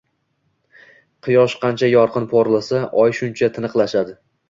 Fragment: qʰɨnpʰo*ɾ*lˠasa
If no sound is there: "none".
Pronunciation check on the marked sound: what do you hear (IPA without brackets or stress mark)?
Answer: ɾ